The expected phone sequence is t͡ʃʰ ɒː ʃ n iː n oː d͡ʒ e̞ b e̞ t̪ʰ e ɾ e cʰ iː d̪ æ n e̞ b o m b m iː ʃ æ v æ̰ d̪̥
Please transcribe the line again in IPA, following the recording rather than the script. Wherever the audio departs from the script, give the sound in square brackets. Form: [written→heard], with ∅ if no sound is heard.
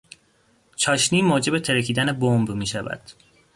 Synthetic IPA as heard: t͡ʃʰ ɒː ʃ n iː [n→m] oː d͡ʒ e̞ b e̞ t̪ʰ e ɾ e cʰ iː d̪ æ n e̞ b o m b m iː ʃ æ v æ̰ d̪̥